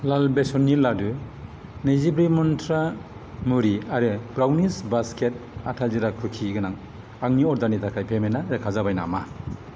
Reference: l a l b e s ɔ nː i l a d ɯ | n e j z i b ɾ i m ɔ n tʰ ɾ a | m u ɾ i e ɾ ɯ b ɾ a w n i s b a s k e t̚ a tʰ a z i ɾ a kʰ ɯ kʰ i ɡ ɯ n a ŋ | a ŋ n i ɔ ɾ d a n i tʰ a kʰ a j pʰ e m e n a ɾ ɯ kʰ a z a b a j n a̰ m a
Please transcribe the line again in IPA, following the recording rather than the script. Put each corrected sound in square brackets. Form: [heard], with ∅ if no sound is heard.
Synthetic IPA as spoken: l a l b e s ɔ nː i l a d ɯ | n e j z i b ɾ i m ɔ n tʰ ɾ a | m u ɾ i [a] ɾ ɯ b ɾ a w n i s b a s k e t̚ a tʰ a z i ɾ a kʰ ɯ kʰ i ɡ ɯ n a ŋ | a ŋ n i ɔ ɾ d a n i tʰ a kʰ a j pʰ e m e n a ɾ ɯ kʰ a z a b a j n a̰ m a